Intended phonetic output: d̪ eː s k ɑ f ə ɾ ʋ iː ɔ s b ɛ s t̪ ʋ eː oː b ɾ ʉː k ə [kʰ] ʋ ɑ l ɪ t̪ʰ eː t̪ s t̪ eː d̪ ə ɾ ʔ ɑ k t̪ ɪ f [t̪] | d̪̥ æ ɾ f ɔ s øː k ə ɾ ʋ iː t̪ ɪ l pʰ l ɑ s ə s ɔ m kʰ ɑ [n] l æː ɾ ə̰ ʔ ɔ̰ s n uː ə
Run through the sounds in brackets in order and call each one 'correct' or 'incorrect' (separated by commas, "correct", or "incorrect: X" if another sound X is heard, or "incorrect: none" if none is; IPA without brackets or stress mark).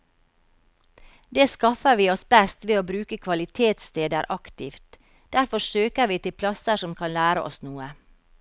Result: correct, correct, correct